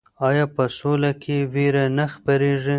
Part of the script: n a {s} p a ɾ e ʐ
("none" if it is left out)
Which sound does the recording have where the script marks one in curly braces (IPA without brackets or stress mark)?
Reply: x